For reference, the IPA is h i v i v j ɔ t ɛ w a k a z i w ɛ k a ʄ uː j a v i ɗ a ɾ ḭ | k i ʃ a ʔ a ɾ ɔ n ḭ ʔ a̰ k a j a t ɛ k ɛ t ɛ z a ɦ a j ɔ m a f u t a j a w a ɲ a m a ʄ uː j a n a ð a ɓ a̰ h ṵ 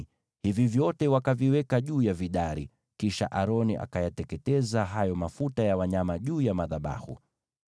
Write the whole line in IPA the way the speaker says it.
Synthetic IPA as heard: h i v i v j ɔ t ɛ w a k a v i w ɛ k a ʄ uː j a v i ɗ a ɾ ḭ | k i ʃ a ʔ a ɾ ɔ n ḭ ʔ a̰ k a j a t ɛ k ɛ t ɛ z a ɦ a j ɔ m a f u t a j a w a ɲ a m a ʄ uː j a m a ð a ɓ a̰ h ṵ